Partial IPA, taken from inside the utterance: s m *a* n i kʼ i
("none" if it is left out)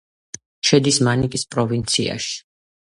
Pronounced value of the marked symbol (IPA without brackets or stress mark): a